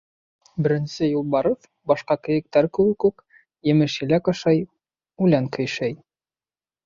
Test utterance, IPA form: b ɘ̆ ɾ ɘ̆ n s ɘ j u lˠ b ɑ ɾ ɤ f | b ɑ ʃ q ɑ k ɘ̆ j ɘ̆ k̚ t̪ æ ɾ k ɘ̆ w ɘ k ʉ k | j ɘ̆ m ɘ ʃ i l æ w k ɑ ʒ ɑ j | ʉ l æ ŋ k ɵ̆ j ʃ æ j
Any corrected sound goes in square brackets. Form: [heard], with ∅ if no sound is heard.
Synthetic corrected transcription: b ɘ̆ ɾ ɘ̆ n s ɘ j u lˠ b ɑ ɾ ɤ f | b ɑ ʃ q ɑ k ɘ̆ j ɘ̆ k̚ t̪ æ ɾ k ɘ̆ w ɘ k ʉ k | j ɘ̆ m ɘ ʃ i l æ [∅] k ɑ [ʃ] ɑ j | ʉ l æ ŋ k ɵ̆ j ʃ æ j